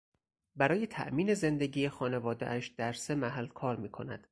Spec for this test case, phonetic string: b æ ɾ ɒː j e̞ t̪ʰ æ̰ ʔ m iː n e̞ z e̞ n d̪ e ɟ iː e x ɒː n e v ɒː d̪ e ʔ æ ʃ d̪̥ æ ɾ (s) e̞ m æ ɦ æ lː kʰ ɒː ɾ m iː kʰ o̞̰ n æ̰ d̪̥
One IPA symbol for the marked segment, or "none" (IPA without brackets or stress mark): s